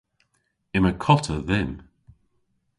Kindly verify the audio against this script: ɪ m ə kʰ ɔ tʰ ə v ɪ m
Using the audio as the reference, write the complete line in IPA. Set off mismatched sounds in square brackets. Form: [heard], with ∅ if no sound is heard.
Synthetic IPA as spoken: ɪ m ə kʰ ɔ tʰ ə [ð] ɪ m